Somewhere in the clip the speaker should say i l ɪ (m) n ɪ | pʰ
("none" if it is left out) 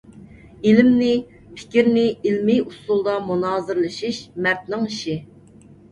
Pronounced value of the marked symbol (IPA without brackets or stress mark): m